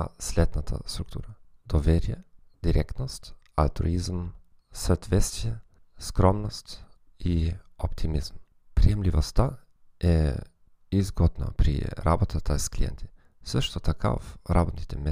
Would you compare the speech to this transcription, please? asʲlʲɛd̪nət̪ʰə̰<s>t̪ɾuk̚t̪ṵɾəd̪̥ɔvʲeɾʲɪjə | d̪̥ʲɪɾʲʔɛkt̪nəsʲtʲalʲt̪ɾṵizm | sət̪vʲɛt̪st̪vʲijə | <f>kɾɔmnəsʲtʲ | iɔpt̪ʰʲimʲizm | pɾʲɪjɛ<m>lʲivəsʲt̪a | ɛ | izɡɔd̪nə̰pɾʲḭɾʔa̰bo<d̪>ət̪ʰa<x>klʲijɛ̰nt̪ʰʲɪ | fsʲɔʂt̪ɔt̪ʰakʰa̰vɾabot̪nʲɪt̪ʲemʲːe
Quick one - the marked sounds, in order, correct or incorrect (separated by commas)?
correct, incorrect, correct, incorrect, incorrect